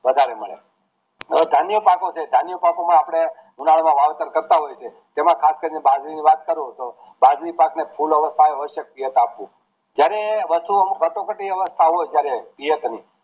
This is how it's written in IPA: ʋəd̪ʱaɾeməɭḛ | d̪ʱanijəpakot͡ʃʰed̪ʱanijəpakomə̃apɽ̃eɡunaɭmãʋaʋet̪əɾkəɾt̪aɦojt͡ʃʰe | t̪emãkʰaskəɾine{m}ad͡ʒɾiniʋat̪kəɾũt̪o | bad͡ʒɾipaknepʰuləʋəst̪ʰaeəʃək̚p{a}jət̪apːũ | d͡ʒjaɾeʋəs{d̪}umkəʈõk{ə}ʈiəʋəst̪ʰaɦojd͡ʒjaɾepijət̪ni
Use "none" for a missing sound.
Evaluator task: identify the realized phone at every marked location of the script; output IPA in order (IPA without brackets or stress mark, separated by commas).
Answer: b, i, t̪, ə